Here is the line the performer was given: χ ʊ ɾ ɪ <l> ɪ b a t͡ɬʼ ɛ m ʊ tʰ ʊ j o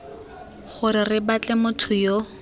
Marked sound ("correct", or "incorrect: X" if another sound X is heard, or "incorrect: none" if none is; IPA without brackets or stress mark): incorrect: r